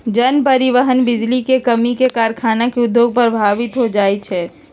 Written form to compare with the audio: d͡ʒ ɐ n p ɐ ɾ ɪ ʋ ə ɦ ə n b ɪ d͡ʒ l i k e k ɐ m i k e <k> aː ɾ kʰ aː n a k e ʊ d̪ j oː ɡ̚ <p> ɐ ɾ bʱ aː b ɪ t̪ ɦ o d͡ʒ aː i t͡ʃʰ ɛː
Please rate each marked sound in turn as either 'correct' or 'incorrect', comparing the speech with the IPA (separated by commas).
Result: correct, correct